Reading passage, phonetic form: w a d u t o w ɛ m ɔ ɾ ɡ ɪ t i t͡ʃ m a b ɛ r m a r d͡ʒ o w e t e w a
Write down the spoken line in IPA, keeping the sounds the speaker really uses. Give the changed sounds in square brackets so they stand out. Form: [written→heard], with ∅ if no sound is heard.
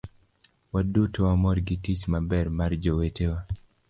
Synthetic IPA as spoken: w a d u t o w [ɛ→a] m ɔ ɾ ɡ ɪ t i t͡ʃ m a b ɛ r m a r d͡ʒ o w e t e w a